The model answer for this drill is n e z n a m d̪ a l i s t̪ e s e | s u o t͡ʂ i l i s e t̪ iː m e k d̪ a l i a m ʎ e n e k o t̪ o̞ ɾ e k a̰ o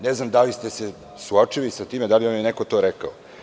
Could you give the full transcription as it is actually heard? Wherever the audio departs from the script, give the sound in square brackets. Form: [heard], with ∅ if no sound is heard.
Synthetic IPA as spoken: n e z n a m d̪ a l i s t̪ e s e | s u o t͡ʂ i l i s [a] t̪ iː m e [∅] d̪ a l i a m [j] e n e k o t̪ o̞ ɾ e k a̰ o

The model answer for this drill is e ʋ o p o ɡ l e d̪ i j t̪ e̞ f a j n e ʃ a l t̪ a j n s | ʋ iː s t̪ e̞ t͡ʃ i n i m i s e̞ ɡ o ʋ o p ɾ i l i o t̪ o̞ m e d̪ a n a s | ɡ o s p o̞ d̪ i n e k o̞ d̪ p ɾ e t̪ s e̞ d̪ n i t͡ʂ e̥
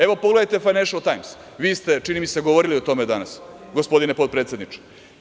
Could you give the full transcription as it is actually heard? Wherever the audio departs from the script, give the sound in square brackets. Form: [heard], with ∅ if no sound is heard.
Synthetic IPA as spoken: e ʋ o p o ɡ l e d̪ [a] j t̪ e̞ f a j n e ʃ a l t̪ a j [m] s | ʋ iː s t̪ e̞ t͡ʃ i n i m i s e̞ ɡ o ʋ o [∅] ɾ i l i o t̪ o̞ m e d̪ a n a s | ɡ o s p o̞ d̪ i n e [p] o̞ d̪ p ɾ e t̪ s e̞ d̪ n i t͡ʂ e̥

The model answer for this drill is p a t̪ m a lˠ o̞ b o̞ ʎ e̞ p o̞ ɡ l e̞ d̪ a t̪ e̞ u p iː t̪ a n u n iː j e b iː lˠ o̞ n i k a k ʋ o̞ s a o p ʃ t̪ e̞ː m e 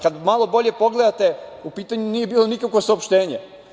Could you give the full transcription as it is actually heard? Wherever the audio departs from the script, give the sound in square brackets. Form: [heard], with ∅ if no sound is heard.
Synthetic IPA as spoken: [k] a [d̪] m a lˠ o̞ b o̞ ʎ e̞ p o̞ ɡ l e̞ d̪ a t̪ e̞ u p iː t̪ a [ɲ] u n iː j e b iː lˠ o̞ n i k a k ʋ o̞ s a o p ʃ t̪ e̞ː [ɲ] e

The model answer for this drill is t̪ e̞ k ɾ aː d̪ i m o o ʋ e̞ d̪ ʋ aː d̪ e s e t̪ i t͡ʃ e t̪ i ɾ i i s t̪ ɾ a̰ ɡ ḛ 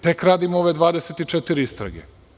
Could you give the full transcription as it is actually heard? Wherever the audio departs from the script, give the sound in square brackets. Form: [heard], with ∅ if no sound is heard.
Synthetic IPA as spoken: t̪ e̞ k ɾ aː d̪ i m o o ʋ e̞ d̪ ʋ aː d̪ e s e t̪ i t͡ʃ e t̪ i ɾ i i s t̪ ɾ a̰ ɡ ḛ

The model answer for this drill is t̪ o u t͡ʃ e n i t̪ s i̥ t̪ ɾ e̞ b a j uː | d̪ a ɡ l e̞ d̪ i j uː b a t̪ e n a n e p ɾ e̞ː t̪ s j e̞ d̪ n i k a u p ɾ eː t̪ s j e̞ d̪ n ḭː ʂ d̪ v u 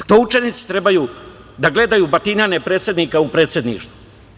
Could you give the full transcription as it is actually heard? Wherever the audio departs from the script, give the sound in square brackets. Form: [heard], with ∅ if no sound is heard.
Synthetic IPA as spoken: t̪ o u t͡ʃ e n i t̪ s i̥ t̪ ɾ e̞ b a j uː | d̪ a ɡ l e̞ d̪ [a] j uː b a t̪ [i] n a n e p ɾ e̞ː t̪ s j e̞ d̪ n i k a u p ɾ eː t̪ s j e̞ d̪ n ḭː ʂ [t̪] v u

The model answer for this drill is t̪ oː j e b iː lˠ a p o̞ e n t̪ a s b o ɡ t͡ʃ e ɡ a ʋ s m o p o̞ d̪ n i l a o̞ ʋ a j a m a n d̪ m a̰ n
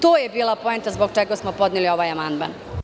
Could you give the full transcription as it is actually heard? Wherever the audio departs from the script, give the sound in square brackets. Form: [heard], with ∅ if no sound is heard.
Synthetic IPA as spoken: t̪ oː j e b iː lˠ a p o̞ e n t̪ a [z] b o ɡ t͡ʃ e ɡ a [∅] s m o p o̞ d̪ n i l [i] o̞ ʋ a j a m a n d̪ m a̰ n

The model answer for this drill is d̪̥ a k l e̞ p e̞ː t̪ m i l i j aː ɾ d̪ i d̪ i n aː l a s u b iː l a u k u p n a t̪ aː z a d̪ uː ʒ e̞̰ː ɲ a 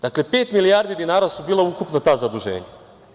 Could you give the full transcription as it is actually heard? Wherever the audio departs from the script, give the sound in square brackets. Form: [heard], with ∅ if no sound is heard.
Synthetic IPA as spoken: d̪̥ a k l e̞ p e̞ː t̪ m i l i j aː ɾ d̪ i d̪ i n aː [ɾ] a s u b iː l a u k u p n a t̪ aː z a d̪ [u] ʒ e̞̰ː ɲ a

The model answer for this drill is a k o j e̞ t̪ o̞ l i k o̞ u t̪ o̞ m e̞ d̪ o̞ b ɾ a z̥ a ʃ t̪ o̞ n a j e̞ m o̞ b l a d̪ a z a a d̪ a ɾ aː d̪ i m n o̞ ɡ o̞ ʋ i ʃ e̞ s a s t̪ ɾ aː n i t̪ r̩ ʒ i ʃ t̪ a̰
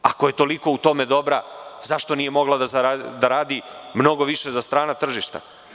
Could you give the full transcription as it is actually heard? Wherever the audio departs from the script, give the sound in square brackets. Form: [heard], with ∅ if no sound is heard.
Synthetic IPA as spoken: a k o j e̞ t̪ o̞ l i k o̞ u t̪ o̞ m e̞ d̪ o̞ b ɾ a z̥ a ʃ t̪ o̞ n [i] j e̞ m o̞ [ɡ] l a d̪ a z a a d̪ a ɾ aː d̪ i m n o̞ ɡ o̞ ʋ i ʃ e̞ [z] a s t̪ ɾ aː n [a] t̪ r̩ ʒ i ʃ t̪ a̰

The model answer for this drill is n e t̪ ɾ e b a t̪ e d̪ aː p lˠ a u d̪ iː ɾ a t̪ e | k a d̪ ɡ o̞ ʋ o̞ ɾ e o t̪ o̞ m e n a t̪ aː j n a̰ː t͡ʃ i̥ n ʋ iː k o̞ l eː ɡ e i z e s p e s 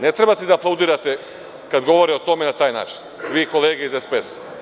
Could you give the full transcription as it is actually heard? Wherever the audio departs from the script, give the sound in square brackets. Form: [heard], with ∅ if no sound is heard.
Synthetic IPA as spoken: n e t̪ ɾ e b a t̪ e d̪ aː p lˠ a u d̪ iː ɾ a t̪ e | k a d̪ ɡ o̞ ʋ o̞ ɾ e o t̪ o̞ m e n a t̪ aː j n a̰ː t͡ʃ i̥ n ʋ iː k o̞ l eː ɡ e i z e s p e s

